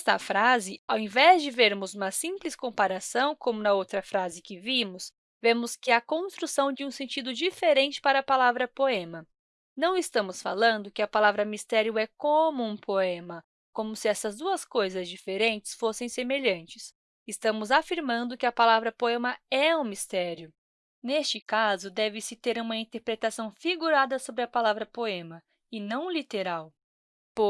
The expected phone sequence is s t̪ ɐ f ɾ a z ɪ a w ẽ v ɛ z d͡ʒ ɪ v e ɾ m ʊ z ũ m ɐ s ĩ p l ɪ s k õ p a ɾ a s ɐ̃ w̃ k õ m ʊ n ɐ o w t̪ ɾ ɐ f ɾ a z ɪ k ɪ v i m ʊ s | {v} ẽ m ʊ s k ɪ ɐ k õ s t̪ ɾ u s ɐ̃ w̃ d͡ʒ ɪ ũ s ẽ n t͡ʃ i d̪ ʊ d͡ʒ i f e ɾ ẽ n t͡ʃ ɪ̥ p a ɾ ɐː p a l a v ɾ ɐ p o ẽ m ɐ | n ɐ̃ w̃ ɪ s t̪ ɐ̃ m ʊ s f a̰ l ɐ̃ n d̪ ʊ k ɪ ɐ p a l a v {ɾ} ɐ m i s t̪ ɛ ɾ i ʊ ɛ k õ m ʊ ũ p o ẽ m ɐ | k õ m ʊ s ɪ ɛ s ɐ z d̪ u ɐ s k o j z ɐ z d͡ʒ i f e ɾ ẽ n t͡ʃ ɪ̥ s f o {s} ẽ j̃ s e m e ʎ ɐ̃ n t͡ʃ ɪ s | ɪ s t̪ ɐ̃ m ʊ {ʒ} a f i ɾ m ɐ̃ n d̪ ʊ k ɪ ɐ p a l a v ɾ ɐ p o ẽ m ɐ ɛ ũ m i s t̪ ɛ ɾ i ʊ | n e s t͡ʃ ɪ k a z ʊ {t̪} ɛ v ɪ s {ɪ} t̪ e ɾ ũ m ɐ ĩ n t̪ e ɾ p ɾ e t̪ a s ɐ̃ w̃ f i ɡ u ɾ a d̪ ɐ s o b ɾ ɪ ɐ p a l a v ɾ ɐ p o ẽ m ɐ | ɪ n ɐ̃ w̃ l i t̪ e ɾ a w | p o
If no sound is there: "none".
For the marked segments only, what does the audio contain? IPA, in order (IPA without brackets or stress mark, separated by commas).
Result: v, ɾ, s, z, d̪, ɪ